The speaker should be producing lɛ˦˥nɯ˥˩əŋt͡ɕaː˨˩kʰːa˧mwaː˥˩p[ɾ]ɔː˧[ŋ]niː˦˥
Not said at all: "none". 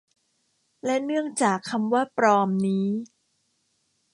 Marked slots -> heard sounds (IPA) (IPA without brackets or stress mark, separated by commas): ɾ, m